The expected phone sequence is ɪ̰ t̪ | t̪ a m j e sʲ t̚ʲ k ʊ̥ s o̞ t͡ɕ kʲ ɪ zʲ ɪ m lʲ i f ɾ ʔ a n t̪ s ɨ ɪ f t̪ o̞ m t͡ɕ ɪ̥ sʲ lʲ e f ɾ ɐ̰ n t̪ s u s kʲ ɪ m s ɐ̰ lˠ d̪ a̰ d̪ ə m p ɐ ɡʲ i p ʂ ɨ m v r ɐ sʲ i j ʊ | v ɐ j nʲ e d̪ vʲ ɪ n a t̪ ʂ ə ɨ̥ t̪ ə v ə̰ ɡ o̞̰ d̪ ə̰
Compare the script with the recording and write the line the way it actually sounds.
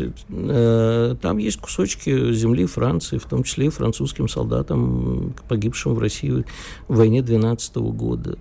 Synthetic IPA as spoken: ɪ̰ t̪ | t̪ a m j e sʲ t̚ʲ k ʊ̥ s o̞ t͡ɕ kʲ ɪ zʲ ɪ m lʲ i f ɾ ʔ a n t̪ s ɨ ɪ f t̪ o̞ m t͡ɕ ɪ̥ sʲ lʲ e f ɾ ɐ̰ n t̪ s u s kʲ ɪ m s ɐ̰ lˠ d̪ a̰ t̪ ə m p ɐ ɡʲ i p ʂ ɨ m v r ɐ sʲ i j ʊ | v ɐ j nʲ e d̪ vʲ ɪ n a t̪ s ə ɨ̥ t̪ ə v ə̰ ɡ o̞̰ d̪ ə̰